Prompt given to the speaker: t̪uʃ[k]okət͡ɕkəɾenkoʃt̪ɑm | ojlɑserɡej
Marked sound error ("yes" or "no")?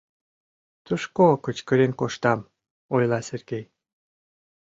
no